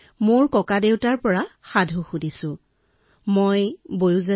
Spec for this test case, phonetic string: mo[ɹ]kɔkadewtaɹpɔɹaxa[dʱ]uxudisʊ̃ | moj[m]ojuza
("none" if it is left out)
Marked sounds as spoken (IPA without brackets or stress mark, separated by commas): ɹ, dʱ, b